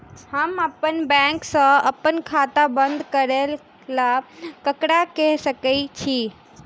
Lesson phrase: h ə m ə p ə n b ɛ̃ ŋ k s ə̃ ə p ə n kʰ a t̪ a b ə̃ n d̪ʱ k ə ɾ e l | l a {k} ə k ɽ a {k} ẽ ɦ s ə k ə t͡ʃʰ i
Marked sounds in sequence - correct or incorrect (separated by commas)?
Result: correct, correct